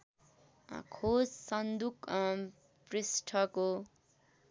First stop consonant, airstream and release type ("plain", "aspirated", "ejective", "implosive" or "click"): aspirated